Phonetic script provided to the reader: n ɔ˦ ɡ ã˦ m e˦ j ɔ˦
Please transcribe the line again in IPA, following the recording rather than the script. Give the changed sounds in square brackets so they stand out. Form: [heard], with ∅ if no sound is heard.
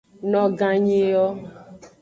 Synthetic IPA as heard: n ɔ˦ ɡ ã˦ [ɲ] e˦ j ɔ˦

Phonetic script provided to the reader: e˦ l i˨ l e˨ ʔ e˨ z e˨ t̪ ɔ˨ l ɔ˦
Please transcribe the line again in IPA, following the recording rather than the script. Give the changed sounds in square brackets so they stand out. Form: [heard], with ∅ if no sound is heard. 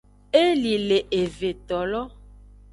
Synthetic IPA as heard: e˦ l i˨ l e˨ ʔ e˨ [v] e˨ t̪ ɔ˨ l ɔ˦

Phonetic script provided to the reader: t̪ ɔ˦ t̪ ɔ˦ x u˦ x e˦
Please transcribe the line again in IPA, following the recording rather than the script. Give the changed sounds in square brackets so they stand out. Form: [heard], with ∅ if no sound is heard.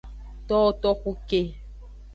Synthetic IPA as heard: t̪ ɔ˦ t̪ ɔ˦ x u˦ [k] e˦

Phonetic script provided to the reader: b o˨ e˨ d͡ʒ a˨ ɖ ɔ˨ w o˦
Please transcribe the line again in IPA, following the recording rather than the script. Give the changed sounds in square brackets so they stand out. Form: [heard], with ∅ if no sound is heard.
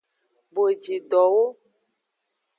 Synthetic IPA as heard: b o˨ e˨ d͡ʒ [i˨] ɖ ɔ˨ w o˦

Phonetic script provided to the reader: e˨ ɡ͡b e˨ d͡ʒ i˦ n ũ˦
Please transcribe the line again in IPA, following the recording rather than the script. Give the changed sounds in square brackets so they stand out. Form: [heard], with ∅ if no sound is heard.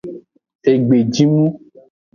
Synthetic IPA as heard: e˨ ɡ͡b e˨ d͡ʒ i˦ [m] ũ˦

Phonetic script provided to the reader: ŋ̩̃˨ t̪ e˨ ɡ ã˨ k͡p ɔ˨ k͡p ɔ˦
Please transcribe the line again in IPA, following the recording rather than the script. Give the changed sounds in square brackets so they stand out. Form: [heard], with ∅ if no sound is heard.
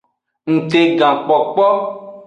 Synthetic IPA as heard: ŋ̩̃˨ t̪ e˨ ɡ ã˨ k͡p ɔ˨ k͡p ɔ˦

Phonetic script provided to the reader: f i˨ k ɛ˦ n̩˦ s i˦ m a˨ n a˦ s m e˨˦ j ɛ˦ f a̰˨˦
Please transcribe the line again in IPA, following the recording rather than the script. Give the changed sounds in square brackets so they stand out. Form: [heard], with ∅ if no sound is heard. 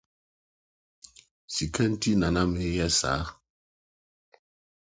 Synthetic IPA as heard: [s] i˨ k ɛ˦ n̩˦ [t] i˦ [n] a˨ n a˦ [∅] m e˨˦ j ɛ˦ [s] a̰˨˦

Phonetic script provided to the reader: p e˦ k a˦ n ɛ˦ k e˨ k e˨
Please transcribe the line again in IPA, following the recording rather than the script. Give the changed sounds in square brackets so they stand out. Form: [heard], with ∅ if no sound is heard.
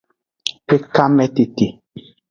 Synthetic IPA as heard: p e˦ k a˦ [m] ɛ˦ [t] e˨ [t] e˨

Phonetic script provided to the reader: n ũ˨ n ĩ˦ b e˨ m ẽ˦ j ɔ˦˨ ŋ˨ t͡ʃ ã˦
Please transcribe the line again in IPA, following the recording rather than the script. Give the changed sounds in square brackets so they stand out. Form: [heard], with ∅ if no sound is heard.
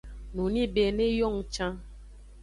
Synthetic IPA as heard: n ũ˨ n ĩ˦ b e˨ [n] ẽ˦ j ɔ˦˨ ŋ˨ t͡ʃ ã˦

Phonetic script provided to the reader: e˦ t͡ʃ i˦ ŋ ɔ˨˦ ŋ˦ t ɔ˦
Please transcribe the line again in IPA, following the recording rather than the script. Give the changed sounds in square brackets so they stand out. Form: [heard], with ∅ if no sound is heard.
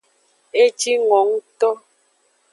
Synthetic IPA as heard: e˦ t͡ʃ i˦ ŋ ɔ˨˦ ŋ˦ t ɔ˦

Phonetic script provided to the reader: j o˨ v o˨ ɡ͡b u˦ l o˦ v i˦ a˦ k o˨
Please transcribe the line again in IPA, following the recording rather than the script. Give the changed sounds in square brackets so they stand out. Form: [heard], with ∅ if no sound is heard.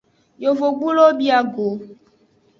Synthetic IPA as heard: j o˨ v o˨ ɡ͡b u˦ l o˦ [b] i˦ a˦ [ɡ] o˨

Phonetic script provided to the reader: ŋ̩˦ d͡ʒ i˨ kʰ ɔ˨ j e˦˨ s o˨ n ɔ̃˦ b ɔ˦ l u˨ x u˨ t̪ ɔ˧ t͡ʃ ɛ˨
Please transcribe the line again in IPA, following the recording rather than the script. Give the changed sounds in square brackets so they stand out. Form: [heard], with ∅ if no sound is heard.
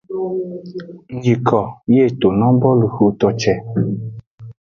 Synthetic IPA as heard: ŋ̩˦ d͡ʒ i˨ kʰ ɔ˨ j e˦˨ [t] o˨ n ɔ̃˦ b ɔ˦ l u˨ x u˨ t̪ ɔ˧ t͡ʃ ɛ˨

